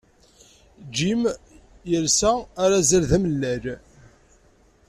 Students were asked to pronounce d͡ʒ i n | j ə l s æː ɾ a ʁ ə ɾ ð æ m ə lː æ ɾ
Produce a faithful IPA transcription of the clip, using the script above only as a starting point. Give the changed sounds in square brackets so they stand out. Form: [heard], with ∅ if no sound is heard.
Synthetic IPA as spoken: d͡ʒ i [m] | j ə l s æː ɾ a [z] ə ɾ ð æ m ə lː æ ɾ